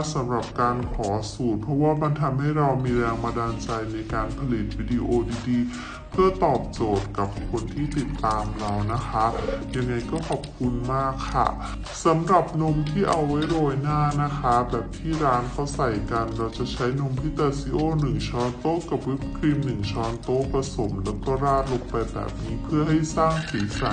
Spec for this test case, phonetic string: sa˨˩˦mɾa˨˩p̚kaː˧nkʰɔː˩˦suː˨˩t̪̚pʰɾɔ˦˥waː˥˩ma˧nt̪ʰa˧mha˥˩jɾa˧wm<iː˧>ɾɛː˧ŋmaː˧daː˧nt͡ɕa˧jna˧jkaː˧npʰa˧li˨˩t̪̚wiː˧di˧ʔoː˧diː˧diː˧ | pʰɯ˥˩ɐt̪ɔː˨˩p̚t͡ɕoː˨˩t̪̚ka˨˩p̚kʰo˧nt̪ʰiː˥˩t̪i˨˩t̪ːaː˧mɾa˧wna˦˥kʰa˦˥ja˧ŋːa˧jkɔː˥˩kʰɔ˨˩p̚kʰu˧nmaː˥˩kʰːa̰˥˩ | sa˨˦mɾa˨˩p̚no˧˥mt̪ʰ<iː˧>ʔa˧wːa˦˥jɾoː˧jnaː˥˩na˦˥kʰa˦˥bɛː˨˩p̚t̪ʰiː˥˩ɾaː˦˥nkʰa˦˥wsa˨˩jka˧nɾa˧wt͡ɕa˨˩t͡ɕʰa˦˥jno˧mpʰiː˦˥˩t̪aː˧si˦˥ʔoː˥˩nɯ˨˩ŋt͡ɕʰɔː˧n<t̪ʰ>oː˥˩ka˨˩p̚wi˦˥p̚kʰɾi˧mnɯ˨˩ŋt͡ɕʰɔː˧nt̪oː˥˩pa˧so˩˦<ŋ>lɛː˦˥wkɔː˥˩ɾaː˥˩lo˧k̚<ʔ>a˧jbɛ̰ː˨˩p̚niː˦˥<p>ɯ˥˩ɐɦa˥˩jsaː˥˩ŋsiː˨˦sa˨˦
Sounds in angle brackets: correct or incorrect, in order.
correct, incorrect: iː˥˩, incorrect: t̪, incorrect: m, incorrect: p, incorrect: pʰ

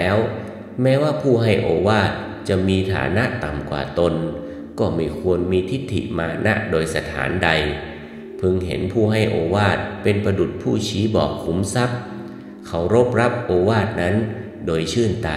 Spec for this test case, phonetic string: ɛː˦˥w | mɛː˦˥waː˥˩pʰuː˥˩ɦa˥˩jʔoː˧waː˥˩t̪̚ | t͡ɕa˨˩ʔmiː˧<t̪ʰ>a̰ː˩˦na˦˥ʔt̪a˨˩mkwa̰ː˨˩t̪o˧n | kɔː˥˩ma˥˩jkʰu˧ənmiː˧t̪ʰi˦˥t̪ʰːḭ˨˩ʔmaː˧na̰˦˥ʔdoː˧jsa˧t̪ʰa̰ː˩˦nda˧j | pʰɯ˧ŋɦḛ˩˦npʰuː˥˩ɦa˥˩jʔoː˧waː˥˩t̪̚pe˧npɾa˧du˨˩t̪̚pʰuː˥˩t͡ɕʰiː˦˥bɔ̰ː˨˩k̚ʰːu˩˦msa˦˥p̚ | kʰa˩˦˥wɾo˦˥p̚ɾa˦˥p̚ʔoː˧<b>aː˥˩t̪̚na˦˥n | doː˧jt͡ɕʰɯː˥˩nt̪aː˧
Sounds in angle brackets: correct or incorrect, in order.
correct, incorrect: w

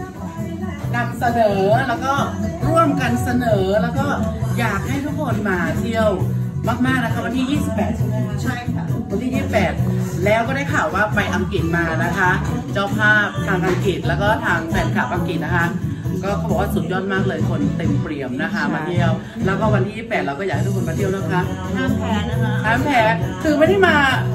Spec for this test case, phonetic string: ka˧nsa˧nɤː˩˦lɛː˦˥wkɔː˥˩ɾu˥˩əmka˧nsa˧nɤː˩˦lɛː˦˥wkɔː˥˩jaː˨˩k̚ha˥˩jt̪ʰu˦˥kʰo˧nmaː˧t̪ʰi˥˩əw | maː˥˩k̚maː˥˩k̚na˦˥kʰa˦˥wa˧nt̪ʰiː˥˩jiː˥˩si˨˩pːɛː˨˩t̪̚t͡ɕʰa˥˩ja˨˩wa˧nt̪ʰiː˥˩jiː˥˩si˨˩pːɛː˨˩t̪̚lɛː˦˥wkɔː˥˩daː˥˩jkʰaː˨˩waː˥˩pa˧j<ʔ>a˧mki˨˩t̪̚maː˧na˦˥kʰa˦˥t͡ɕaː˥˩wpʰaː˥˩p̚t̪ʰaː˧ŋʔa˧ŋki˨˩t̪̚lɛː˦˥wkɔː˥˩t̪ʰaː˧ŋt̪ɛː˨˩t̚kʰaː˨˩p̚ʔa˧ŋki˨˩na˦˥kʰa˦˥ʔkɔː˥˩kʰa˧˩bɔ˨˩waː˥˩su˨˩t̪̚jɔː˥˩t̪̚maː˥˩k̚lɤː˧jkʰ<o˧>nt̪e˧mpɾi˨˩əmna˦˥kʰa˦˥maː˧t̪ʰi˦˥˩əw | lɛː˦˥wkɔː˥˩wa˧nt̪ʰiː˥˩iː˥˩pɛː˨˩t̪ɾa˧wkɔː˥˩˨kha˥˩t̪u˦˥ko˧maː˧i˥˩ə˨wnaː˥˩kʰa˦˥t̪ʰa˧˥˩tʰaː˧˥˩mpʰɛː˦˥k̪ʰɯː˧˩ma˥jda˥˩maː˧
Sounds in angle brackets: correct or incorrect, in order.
correct, correct

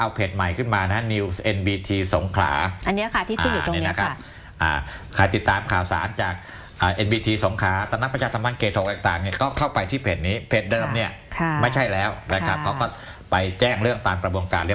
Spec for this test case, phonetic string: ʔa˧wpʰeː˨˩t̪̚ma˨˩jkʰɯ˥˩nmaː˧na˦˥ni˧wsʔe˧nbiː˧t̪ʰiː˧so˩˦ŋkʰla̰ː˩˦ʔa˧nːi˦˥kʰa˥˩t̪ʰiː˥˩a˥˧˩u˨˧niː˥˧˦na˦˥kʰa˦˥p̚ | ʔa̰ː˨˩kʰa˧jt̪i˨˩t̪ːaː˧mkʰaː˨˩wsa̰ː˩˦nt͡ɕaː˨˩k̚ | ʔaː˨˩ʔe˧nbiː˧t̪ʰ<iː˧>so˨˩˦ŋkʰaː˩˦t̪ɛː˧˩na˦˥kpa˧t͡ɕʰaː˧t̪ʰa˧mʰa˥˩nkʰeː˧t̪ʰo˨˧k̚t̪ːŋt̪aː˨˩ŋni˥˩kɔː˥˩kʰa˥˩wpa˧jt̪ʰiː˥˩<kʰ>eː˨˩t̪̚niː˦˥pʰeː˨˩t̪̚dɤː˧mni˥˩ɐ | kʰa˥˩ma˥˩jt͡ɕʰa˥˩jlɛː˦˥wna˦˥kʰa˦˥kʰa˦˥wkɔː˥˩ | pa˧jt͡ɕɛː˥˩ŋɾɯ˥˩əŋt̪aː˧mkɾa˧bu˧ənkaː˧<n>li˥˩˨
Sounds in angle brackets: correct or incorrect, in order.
correct, incorrect: pʰ, correct

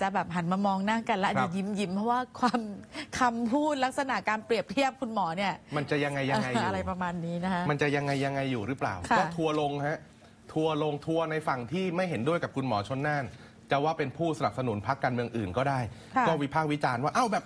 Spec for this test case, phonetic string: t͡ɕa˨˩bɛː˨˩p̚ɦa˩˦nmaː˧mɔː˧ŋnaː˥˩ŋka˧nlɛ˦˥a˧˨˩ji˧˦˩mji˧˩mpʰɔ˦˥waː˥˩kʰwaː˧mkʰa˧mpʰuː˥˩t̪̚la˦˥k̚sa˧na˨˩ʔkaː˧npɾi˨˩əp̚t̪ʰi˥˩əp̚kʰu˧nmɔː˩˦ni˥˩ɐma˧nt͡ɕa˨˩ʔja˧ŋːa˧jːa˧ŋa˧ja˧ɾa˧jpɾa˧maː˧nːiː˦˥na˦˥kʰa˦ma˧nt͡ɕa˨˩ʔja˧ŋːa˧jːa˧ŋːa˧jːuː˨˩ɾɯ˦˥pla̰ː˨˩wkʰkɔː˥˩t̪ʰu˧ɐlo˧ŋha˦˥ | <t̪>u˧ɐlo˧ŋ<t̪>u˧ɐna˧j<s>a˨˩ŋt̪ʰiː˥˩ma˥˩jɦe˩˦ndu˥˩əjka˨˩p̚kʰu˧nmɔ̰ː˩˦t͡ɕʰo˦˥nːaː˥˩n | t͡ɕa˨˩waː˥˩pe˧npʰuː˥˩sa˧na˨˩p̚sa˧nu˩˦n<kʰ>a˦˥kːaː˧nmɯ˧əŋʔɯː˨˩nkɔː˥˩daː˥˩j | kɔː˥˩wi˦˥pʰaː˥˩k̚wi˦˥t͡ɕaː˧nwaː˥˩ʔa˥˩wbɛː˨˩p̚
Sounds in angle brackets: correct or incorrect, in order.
incorrect: t̪ʰ, incorrect: t̪ʰ, incorrect: f, incorrect: pʰ

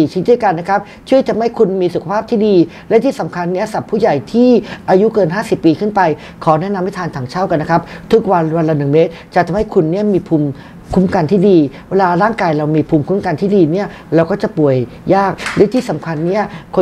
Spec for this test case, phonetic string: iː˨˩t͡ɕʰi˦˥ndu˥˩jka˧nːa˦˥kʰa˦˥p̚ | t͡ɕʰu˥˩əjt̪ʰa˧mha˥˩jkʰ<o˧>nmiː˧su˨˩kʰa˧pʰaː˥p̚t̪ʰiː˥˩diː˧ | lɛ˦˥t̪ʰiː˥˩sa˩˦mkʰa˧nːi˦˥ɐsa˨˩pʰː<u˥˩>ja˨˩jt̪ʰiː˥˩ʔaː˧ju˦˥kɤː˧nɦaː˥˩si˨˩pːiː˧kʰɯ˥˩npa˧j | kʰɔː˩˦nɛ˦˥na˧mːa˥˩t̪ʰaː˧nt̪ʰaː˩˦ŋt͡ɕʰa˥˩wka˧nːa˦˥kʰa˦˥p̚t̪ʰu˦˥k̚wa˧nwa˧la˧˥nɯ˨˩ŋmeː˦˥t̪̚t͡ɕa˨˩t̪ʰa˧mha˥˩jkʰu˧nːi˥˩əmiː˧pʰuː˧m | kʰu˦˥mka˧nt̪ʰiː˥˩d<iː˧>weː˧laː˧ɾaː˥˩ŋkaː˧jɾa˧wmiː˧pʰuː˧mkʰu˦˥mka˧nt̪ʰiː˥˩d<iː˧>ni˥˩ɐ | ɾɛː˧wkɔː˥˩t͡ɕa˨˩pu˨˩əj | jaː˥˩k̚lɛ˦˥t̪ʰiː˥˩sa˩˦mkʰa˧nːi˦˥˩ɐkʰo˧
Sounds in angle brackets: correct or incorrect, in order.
incorrect: u˧, incorrect: uː˥˩, correct, correct

